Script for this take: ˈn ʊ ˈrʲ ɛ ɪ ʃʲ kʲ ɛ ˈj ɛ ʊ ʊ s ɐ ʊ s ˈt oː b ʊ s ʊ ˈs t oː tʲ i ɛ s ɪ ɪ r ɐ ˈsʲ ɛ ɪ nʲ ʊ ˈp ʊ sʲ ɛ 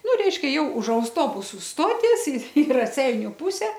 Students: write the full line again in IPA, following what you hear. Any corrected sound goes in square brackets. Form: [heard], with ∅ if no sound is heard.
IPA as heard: ˈn ʊ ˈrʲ ɛ ɪ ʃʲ kʲ ɛ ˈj ɛ ʊ ʊ [ʃ] ɐ ʊ s ˈt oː b ʊ s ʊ ˈs t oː tʲ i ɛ s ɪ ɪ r ɐ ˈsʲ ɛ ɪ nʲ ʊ ˈp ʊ sʲ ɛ